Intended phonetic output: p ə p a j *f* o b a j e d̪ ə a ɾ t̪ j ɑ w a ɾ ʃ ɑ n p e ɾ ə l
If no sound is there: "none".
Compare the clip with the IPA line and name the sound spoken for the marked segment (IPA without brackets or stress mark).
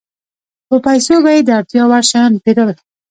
s